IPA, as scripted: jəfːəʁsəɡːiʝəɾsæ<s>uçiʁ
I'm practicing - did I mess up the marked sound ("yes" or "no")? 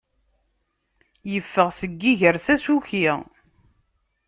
no